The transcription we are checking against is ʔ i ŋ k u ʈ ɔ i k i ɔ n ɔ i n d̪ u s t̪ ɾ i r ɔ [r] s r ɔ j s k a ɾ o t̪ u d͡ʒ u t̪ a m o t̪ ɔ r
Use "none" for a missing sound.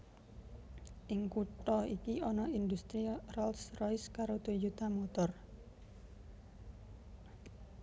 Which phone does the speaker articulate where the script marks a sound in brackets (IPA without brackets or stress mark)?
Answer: l